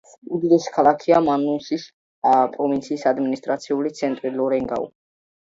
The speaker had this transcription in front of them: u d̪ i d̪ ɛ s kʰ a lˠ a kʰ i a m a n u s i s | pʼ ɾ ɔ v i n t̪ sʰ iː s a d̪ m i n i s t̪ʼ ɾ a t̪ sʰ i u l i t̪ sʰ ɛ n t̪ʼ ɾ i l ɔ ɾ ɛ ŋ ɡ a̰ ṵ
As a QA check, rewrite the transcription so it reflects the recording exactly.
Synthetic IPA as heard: u d̪ i d̪ ɛ s kʰ a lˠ a kʰ i a m a n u s i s | pʼ ɾ ɔ v i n t̪ sʰ iː s a d̪ m i n i s t̪ʼ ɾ a t̪ sʰ i u l i t̪ sʰ ɛ n t̪ʼ ɾ i l ɔ ɾ ɛ ŋ ɡ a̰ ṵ